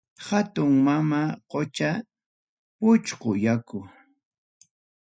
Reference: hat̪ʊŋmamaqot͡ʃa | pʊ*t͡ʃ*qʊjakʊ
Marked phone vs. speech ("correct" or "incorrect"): correct